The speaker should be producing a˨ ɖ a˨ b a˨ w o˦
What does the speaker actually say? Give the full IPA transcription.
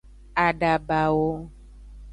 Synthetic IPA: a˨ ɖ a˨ b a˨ w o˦